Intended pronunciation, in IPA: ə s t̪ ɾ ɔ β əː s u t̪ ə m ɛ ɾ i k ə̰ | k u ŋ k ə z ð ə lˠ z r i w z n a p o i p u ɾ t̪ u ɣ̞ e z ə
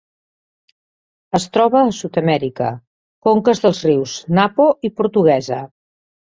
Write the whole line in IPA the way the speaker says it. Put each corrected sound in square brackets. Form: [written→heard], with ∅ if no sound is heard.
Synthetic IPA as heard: ə s t̪ ɾ ɔ β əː s u t̪ ə m ɛ ɾ i k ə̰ | k [u→o] ŋ k ə z ð ə lˠ z r i w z n a p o i p u ɾ t̪ u ɣ̞ [e→ɛ] z ə